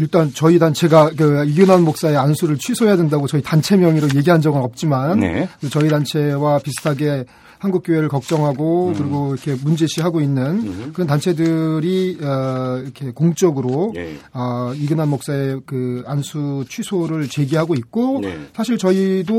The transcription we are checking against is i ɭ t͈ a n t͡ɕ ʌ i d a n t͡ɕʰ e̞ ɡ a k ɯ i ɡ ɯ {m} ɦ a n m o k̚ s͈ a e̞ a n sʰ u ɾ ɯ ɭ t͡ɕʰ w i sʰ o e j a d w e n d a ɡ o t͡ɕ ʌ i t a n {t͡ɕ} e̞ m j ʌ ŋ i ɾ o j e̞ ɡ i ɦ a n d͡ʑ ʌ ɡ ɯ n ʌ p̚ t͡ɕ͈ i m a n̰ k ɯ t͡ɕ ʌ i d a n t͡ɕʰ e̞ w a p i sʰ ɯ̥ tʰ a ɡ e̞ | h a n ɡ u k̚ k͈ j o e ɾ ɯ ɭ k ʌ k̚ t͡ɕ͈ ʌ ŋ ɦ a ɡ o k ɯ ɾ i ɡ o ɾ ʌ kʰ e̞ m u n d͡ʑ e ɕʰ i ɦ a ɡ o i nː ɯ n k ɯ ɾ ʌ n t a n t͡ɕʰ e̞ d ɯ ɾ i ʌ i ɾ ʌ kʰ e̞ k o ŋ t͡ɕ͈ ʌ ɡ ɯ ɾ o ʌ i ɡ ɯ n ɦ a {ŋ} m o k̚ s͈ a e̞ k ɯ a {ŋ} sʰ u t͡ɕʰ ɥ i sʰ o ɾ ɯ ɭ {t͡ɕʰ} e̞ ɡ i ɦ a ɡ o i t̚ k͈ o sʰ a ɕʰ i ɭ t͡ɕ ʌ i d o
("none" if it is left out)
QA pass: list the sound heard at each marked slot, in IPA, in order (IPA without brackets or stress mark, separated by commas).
n, t͡ɕʰ, n, n, t͡ɕ